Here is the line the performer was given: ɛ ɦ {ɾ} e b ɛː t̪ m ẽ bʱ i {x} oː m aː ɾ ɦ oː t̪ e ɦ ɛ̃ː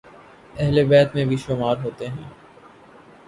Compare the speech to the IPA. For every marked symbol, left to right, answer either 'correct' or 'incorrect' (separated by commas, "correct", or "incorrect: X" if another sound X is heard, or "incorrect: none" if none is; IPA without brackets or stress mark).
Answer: incorrect: l, incorrect: ʃ